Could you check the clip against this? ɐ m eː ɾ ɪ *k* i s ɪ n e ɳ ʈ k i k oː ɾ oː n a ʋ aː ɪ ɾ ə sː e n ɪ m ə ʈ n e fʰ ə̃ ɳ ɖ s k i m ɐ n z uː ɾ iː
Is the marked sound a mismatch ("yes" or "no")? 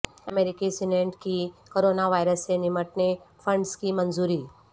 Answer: no